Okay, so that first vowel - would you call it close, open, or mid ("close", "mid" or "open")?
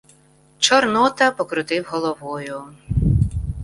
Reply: mid